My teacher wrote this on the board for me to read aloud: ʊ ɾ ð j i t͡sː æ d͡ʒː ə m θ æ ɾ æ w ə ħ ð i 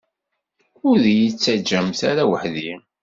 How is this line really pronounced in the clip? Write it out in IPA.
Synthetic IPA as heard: ʊ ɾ ð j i t͡sː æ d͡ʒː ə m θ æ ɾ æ w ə ħ ð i